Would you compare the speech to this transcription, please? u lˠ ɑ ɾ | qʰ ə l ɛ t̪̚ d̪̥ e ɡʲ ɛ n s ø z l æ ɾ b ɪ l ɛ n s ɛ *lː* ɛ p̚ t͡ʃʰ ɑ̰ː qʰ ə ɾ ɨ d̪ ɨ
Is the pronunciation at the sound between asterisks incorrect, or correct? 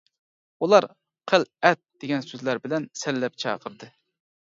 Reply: correct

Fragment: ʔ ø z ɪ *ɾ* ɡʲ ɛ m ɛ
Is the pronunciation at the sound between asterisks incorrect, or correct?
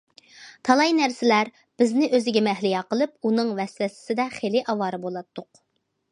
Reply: incorrect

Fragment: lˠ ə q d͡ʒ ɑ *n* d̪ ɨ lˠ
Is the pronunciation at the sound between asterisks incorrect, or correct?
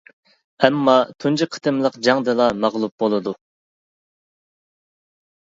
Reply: incorrect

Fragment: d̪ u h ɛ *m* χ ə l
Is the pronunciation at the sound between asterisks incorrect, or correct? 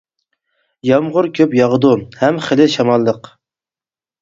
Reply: correct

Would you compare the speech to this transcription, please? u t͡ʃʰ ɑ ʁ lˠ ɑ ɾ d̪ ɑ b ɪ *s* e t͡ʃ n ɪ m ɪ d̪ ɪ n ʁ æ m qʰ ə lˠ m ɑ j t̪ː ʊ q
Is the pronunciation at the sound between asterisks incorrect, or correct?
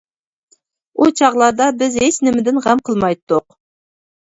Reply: incorrect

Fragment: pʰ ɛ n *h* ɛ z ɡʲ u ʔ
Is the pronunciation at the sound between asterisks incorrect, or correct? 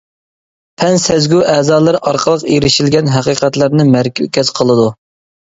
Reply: incorrect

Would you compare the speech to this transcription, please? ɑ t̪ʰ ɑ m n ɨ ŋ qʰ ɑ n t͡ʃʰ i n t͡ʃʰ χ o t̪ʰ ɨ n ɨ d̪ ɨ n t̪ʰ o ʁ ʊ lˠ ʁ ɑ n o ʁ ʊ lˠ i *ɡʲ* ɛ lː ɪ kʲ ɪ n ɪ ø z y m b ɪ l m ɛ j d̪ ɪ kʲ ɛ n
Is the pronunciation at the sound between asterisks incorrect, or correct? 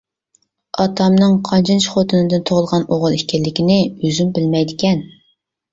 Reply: incorrect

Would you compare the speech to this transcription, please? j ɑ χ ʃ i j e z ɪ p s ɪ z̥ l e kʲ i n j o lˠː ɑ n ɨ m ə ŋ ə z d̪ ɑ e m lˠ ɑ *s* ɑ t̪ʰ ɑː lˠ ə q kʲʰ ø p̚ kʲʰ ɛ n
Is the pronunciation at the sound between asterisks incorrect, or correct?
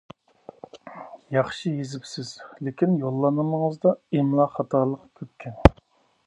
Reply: incorrect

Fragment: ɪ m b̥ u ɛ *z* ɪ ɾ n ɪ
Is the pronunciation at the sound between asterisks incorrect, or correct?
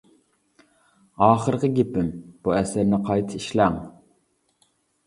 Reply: incorrect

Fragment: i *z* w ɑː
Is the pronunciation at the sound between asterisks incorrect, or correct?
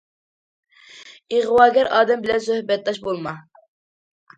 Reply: incorrect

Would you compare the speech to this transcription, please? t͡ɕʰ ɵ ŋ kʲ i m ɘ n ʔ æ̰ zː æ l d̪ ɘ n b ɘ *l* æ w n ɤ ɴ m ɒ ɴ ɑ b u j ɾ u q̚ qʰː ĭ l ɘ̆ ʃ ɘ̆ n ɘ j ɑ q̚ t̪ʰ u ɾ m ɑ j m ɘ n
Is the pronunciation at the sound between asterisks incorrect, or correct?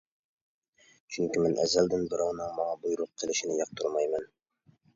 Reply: incorrect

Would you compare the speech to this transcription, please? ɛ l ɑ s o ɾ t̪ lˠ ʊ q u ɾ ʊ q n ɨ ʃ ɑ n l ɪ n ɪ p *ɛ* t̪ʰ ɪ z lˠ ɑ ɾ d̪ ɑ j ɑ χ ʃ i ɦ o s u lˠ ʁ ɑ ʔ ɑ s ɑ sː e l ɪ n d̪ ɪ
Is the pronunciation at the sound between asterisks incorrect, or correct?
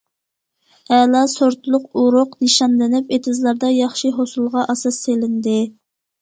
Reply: incorrect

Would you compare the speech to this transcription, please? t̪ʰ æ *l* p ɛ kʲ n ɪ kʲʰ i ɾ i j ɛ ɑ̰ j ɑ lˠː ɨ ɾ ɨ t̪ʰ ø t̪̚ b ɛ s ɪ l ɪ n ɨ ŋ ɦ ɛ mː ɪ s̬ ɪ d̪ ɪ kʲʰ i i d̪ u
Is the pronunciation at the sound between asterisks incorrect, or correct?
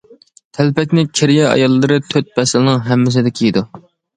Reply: correct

